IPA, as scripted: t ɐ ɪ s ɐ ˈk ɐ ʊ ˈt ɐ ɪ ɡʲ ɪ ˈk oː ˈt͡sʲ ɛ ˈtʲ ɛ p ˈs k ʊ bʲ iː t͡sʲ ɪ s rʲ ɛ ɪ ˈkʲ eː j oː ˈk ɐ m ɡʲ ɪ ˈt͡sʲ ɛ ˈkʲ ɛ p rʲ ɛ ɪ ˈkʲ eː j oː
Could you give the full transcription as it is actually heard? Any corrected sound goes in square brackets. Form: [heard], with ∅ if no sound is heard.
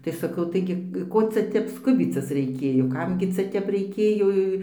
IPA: t ɐ ɪ s ɐ ˈk ɐ ʊ ˈt ɐ ɪ ɡʲ ɪ ˈk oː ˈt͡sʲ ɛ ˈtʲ ɛ p ˈs k ʊ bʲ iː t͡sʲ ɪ s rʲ ɛ ɪ ˈkʲ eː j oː ˈk ɐ m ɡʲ ɪ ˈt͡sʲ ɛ [ˈtʲ] ɛ p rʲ ɛ ɪ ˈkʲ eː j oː

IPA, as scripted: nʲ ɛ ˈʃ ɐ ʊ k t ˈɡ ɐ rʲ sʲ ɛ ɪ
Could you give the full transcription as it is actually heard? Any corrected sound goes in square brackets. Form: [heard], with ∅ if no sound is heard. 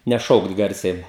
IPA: nʲ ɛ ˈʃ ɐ ʊ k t ˈɡ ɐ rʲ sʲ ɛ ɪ

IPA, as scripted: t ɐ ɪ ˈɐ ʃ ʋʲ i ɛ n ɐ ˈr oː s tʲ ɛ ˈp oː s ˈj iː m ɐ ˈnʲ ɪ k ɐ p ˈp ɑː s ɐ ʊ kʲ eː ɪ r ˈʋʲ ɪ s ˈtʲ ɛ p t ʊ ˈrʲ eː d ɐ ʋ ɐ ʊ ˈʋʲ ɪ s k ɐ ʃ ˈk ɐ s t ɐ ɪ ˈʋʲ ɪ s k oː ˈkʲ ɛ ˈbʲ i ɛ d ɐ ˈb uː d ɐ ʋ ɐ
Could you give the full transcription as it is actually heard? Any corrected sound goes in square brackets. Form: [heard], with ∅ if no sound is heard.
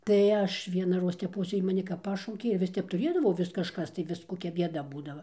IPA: t ɐ ɪ ˈɐ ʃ ʋʲ i ɛ n ɐ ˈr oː s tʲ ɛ ˈp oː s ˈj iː m ɐ ˈnʲ ɪ k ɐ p ˈp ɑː [ʃ] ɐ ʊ kʲ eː ɪ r ˈʋʲ ɪ s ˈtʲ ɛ p t ʊ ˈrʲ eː d ɐ ʋ ɐ ʊ ˈʋʲ ɪ s k ɐ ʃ ˈk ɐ s t ɐ ɪ ˈʋʲ ɪ s k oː ˈkʲ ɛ ˈbʲ i ɛ d ɐ ˈb uː d ɐ ʋ ɐ

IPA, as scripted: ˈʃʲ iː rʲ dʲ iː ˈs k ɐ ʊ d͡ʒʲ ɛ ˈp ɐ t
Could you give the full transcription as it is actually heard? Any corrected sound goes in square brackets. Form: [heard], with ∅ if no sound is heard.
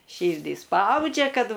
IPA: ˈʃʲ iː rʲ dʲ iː ˈs [p] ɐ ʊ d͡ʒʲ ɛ [ˈk] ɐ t

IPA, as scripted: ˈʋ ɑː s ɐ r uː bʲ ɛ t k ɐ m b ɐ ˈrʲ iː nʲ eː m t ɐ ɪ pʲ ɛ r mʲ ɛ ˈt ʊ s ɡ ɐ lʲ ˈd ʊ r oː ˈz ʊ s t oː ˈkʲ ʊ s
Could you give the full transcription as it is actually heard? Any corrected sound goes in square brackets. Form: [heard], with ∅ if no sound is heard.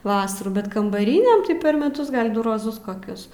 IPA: ˈʋ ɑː s ɐ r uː bʲ ɛ t k ɐ m b ɐ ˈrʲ iː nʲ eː m t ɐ ɪ pʲ ɛ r mʲ ɛ ˈt ʊ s ɡ ɐ lʲ ˈd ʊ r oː ˈz ʊ s [k] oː ˈkʲ ʊ s

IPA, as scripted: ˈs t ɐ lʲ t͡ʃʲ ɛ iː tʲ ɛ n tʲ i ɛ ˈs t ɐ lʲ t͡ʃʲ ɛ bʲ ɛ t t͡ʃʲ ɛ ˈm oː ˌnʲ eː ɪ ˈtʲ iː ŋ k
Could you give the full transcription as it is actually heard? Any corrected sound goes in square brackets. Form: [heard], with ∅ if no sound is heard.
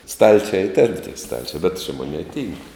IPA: ˈs t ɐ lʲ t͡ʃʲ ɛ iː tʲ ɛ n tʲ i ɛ ˈs t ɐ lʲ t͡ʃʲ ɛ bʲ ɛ t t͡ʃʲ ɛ ˈm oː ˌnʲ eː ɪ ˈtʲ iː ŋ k

